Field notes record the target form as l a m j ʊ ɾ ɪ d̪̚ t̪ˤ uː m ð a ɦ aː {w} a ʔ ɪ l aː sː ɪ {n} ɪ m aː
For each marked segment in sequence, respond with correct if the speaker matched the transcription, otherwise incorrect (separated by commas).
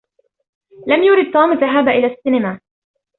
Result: incorrect, correct